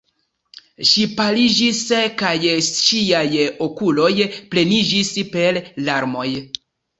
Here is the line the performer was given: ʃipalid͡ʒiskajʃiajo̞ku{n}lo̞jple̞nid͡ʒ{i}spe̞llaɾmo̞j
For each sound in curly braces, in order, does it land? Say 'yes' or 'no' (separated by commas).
no, yes